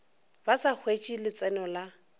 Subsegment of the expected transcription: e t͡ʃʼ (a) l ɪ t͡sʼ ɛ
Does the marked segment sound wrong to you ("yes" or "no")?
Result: yes